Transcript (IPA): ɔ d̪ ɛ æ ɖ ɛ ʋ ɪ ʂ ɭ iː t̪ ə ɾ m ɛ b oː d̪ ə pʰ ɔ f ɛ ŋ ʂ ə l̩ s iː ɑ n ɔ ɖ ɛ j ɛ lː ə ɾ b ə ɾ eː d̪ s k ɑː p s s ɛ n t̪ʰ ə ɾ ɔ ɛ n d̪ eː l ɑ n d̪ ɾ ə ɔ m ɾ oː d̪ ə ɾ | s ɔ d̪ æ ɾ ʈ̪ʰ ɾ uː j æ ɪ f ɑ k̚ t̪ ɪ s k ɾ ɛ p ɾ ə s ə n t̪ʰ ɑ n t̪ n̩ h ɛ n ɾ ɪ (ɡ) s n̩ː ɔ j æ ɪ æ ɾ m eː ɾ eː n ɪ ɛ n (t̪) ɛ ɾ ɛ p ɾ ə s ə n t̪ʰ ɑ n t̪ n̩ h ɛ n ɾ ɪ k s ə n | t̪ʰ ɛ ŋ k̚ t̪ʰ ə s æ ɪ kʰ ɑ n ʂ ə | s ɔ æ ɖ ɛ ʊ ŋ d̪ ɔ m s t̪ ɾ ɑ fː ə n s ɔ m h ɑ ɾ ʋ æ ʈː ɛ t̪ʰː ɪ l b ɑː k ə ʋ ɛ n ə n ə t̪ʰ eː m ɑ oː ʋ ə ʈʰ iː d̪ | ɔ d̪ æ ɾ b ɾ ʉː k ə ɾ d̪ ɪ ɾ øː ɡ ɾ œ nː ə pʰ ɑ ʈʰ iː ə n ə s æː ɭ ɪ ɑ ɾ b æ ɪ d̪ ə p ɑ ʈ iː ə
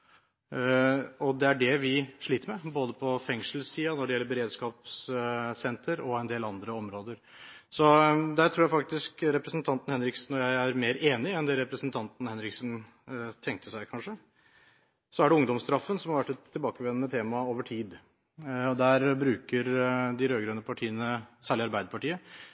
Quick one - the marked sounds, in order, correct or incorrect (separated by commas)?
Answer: incorrect, incorrect